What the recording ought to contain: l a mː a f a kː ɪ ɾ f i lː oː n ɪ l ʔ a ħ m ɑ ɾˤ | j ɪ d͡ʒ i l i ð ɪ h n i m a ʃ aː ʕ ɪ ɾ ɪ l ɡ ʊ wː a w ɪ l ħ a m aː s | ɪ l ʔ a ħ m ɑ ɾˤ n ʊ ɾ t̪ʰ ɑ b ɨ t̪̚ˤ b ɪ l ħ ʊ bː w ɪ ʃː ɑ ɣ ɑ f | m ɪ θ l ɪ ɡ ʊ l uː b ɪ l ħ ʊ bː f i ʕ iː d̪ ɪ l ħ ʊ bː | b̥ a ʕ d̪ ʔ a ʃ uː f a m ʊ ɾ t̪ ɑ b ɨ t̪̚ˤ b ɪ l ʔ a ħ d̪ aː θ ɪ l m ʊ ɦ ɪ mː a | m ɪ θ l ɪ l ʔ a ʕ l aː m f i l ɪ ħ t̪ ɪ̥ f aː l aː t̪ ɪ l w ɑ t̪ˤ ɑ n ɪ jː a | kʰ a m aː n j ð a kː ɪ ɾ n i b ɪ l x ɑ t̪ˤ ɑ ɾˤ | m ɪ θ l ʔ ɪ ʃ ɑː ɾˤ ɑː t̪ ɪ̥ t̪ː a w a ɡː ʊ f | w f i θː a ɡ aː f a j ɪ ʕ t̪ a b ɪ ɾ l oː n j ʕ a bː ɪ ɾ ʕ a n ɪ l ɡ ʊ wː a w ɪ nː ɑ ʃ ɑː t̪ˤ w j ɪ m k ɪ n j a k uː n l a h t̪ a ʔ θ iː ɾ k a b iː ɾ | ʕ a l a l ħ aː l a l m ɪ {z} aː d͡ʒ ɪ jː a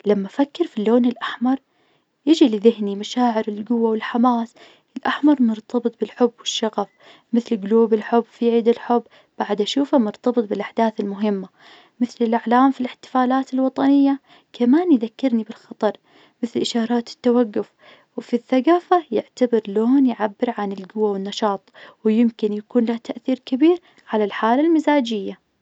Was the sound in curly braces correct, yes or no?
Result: yes